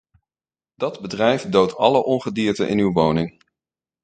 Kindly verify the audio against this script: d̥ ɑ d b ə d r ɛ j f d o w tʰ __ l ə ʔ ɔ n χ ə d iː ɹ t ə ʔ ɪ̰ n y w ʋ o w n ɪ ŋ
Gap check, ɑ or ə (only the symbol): ɑ